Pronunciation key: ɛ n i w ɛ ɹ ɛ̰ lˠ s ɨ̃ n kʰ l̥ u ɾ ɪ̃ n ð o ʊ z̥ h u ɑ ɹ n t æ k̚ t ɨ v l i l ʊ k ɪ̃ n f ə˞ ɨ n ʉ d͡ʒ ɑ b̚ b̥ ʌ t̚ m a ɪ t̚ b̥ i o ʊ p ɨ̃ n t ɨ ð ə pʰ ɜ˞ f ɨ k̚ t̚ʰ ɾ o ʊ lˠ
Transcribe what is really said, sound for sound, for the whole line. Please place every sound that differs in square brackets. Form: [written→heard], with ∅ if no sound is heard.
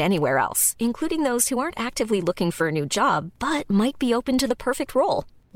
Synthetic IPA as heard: ɛ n i w ɛ ɹ ɛ̰ lˠ s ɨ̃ n kʰ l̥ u ɾ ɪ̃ [n→ŋ] ð o ʊ z̥ h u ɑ ɹ n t æ k̚ t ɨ v l i l ʊ k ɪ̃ [n→ŋ] f ə˞ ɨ n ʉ d͡ʒ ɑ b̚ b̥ ʌ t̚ m a ɪ t̚ b̥ i o ʊ p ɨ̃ n t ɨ ð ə pʰ ɜ˞ f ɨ k̚ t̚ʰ [ɾ→ɹ] o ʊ lˠ